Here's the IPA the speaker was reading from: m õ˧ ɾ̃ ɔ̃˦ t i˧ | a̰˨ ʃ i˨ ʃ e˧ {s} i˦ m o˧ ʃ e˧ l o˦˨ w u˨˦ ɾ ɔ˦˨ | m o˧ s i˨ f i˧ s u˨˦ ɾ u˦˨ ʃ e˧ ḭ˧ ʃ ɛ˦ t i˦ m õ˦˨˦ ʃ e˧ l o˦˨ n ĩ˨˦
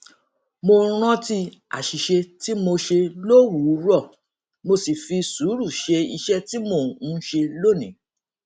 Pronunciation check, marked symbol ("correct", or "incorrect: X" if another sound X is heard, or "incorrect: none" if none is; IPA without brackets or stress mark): incorrect: t